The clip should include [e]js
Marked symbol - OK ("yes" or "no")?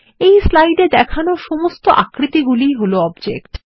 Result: yes